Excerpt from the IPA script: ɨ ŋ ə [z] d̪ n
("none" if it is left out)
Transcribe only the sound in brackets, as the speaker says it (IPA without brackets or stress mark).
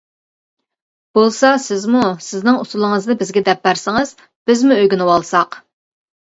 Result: z